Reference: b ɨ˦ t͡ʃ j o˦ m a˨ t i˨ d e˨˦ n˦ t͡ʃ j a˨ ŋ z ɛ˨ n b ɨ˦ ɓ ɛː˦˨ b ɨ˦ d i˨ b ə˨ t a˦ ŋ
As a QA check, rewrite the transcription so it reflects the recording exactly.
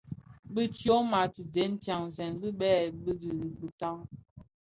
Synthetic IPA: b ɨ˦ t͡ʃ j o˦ m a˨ t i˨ d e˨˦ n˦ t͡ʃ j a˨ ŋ z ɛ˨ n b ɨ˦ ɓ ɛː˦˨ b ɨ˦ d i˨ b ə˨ t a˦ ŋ